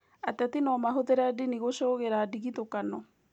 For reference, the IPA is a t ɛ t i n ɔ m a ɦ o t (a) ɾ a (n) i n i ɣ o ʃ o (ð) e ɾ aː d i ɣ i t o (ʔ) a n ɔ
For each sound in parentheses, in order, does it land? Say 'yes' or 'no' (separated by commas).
no, no, no, no